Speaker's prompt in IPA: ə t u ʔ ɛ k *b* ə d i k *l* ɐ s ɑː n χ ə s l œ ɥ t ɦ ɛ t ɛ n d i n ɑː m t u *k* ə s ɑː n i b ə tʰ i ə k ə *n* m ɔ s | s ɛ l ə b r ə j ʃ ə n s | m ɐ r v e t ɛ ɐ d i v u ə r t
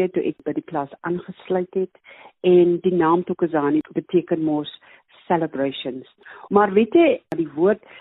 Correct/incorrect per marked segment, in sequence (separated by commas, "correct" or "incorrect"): correct, correct, correct, correct